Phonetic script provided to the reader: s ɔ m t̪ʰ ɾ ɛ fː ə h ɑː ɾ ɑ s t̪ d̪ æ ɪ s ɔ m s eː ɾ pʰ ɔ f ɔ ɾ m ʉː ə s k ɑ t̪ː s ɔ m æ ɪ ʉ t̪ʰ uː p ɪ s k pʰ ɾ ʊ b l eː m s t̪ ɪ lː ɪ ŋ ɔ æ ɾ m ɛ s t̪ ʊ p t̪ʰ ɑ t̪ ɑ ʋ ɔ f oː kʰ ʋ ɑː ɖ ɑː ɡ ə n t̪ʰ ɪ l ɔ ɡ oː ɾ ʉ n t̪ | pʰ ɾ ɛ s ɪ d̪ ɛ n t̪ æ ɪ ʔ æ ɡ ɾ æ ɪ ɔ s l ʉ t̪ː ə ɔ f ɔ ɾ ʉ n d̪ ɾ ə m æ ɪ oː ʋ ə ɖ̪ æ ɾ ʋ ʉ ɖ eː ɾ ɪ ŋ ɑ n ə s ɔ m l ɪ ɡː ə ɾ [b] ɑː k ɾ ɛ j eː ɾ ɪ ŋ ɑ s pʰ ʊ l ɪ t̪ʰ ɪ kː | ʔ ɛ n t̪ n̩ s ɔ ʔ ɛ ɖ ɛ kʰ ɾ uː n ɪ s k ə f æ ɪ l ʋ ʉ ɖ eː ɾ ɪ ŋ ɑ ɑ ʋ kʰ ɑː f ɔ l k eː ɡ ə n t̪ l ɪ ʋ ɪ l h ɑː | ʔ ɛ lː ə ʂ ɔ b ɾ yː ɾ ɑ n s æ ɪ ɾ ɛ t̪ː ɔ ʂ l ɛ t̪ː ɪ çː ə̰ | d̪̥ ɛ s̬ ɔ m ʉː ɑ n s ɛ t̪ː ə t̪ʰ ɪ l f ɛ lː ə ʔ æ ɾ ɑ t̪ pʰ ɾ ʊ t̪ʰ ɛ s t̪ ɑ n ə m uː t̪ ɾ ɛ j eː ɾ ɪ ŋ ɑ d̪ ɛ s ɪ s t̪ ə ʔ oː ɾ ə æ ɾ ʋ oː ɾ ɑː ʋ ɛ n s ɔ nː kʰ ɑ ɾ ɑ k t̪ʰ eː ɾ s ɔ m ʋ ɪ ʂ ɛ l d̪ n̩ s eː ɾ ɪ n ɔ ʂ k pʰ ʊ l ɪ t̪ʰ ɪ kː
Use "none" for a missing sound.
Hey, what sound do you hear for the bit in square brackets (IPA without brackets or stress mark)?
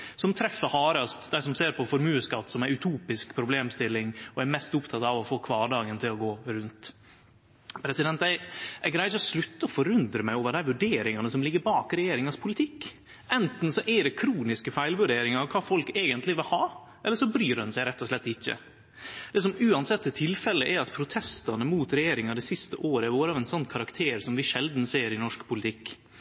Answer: b